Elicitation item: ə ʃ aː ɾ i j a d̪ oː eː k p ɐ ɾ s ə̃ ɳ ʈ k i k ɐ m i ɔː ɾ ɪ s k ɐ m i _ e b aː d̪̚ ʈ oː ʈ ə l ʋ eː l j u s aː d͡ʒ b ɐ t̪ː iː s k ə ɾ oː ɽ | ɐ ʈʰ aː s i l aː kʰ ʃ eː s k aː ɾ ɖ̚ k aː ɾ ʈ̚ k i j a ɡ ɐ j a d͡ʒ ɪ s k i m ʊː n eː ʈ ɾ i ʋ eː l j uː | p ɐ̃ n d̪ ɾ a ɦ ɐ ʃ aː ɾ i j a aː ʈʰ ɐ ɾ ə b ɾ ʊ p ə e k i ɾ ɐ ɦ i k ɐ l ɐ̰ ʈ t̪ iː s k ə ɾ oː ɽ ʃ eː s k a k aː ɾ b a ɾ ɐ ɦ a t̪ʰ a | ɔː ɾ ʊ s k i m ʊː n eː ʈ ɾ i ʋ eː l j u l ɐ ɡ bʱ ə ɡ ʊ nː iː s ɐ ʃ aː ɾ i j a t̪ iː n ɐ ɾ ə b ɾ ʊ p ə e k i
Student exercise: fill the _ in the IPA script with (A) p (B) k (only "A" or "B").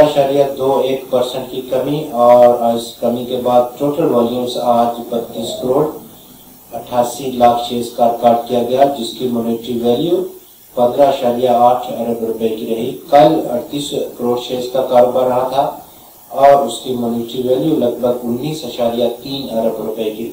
B